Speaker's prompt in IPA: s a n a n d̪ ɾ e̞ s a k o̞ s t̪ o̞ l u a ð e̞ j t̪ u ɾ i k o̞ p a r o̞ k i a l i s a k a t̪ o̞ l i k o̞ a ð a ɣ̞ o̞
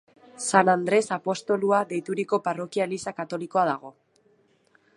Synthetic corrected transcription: s a n a n d̪ ɾ e̞ s a p o̞ s t̪ o̞ l u a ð e̞ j t̪ u ɾ i k o̞ p a r o̞ k i a l i s a k a t̪ o̞ l i k o̞ a ð a ɣ̞ o̞